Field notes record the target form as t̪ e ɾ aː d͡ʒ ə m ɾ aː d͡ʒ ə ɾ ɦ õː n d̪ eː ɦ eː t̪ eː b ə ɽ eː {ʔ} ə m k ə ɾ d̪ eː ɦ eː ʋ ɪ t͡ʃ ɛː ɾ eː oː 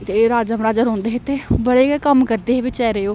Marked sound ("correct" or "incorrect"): incorrect